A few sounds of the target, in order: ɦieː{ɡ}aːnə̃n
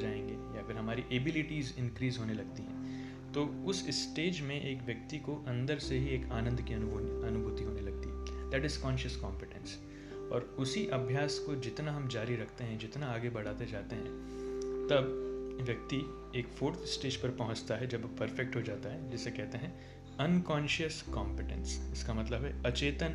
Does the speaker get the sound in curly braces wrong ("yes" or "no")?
yes